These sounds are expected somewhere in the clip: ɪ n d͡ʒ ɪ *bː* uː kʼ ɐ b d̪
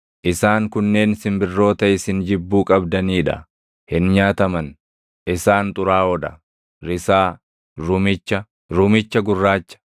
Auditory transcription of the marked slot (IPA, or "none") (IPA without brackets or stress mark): bː